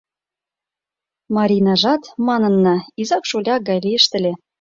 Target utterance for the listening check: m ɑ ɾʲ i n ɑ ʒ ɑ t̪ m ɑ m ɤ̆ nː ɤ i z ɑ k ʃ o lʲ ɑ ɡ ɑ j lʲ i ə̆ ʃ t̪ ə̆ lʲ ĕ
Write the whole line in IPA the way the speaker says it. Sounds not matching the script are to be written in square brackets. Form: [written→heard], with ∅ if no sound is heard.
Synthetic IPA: m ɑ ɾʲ i n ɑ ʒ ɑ t̪ m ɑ [m→n] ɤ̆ nː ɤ i z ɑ k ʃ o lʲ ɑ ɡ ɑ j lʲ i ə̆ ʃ t̪ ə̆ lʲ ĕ